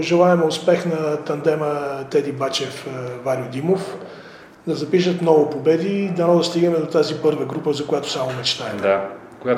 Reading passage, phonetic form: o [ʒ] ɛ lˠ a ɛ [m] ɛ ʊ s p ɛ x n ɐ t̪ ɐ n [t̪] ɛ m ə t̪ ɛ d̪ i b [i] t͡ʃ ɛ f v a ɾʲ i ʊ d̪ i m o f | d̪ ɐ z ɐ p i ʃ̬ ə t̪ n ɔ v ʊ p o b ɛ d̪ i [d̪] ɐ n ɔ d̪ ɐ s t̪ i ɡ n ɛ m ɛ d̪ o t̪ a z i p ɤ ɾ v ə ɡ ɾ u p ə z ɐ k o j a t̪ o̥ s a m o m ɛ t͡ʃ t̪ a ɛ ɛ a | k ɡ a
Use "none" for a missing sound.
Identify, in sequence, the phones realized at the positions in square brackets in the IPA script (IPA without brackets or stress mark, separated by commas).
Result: ʒ, m, d̪, a, d̪